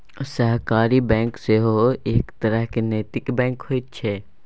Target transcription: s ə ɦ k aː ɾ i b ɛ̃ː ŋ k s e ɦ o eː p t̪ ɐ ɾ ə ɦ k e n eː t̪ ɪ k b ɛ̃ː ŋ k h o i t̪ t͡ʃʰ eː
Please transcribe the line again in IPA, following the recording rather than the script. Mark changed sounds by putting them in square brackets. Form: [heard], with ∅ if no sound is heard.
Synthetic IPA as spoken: s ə ɦ k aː ɾ i b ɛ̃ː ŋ k s e ɦ o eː [k] t̪ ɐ ɾ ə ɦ k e n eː t̪ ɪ k b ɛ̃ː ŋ k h o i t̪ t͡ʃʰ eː